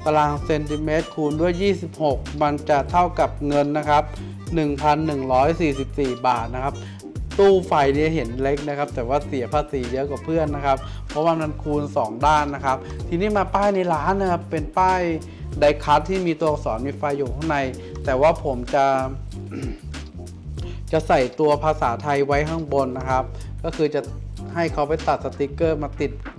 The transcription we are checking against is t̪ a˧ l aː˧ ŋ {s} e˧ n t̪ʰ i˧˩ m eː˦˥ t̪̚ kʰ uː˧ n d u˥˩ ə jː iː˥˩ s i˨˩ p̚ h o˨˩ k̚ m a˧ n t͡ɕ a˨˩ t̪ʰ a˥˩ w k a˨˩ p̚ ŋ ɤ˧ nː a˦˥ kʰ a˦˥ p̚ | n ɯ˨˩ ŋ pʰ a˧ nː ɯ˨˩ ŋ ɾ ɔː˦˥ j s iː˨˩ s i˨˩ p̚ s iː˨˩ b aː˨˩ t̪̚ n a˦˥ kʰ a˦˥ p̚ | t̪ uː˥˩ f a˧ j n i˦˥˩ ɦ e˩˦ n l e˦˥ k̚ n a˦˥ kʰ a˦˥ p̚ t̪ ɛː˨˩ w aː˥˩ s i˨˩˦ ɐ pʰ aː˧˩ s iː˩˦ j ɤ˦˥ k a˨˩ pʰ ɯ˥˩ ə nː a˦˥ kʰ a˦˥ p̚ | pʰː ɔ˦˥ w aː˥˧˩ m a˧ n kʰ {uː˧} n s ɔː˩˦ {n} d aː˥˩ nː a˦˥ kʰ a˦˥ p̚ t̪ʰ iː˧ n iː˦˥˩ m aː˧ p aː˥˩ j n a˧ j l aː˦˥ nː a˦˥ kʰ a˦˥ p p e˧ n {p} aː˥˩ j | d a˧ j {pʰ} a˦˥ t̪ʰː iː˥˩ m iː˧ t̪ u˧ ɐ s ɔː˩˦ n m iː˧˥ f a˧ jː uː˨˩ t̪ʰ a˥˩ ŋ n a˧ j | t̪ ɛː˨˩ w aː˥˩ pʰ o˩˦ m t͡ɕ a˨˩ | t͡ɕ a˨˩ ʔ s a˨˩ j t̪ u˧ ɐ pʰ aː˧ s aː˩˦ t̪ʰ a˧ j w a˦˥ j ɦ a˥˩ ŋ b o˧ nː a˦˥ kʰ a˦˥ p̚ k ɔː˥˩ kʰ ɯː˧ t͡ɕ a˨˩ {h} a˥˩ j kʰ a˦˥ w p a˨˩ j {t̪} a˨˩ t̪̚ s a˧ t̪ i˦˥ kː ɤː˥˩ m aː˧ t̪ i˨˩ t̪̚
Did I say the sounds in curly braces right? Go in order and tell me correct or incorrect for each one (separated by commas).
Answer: correct, correct, incorrect, correct, incorrect, correct, correct